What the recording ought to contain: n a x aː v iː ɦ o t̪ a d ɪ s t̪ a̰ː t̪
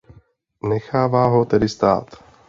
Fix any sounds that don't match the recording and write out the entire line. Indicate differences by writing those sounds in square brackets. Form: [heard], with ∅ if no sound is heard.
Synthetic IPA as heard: n [ɛ] x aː v [aː] ɦ o t̪ [ɛ] d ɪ s t̪ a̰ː t̪

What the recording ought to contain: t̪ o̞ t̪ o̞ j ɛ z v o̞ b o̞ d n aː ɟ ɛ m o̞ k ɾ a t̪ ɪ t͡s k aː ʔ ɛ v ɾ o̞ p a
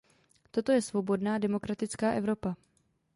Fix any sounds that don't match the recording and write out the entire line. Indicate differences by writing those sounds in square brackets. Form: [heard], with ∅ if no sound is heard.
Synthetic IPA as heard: t̪ o̞ t̪ o̞ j ɛ [s] v o̞ b o̞ d n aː [d] ɛ m o̞ k ɾ a t̪ ɪ t͡s k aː ʔ ɛ v ɾ o̞ p a

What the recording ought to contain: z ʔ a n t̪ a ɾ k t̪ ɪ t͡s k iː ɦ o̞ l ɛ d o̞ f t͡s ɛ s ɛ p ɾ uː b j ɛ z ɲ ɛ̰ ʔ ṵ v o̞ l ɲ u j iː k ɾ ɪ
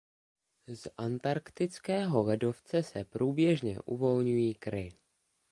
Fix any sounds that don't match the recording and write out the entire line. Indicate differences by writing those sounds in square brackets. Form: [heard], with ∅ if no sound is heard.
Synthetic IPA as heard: z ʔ a n t̪ a ɾ k t̪ ɪ t͡s k [ɛː] ɦ o̞ l ɛ d o̞ f t͡s ɛ s ɛ p ɾ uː b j ɛ [ʒ] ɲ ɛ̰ ʔ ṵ v o̞ l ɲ u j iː k ɾ ɪ

